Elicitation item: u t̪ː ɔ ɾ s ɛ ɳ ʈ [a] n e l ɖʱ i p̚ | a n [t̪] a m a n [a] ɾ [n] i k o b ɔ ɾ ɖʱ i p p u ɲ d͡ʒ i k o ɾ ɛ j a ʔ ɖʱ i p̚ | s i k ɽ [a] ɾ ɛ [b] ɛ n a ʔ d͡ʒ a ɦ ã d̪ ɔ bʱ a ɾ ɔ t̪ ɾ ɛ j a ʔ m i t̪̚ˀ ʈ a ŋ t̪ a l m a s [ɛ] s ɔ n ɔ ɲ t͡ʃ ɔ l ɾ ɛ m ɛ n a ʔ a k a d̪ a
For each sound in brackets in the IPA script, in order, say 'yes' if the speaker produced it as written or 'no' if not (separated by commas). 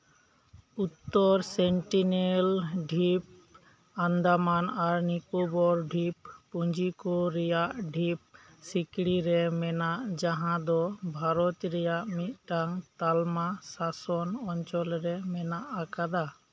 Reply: no, no, yes, yes, no, no, no